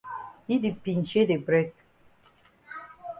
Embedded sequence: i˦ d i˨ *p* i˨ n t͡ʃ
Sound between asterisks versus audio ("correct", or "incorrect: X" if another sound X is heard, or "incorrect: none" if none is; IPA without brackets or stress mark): correct